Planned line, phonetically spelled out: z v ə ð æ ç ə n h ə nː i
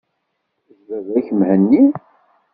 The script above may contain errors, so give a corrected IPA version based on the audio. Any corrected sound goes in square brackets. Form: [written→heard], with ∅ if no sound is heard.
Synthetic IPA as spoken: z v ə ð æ ç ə [n→m] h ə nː i